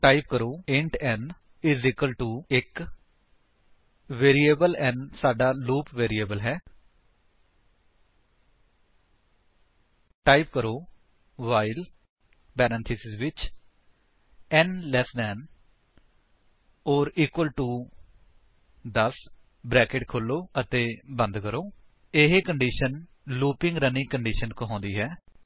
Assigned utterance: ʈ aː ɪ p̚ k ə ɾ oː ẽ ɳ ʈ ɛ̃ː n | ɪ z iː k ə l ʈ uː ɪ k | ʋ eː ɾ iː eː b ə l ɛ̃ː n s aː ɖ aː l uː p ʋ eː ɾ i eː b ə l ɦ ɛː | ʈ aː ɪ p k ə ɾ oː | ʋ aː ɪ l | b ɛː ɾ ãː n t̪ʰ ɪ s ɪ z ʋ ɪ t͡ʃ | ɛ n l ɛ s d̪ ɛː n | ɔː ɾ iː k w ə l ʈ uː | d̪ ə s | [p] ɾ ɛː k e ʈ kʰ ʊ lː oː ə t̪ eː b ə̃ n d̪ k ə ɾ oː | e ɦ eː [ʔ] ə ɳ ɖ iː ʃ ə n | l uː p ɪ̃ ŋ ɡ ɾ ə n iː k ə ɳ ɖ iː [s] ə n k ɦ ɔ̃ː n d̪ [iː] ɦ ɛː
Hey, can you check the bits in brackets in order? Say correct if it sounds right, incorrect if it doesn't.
incorrect: b, incorrect: k, incorrect: ʃ, correct

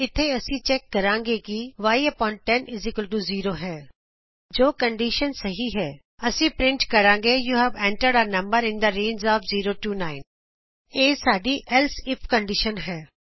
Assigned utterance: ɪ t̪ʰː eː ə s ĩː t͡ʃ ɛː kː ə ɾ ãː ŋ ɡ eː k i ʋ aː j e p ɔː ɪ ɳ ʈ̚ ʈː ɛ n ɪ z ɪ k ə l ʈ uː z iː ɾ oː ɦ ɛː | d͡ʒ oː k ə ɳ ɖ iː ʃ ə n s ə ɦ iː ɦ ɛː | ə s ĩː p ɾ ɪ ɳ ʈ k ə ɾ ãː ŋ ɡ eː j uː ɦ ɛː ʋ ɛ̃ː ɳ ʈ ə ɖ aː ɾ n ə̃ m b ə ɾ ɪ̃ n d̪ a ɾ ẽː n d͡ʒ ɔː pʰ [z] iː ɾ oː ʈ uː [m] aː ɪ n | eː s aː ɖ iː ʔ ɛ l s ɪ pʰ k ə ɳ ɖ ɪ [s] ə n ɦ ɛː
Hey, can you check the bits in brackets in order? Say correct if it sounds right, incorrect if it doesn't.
correct, incorrect: n, incorrect: ʃ

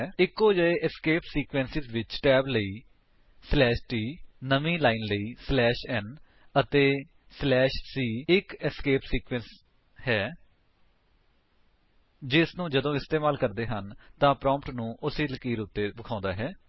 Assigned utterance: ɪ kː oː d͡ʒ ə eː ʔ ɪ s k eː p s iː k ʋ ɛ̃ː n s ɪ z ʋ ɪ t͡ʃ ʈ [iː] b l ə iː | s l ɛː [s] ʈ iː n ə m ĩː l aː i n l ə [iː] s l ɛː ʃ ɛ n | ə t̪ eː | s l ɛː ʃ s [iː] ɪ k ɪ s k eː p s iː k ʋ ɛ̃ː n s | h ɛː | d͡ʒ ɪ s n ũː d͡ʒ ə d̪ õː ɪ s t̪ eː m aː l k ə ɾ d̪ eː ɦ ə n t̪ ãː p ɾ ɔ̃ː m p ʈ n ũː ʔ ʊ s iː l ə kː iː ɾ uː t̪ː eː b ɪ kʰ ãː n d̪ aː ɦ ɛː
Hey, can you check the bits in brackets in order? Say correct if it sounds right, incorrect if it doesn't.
incorrect: ɛː, incorrect: ʃ, correct, correct

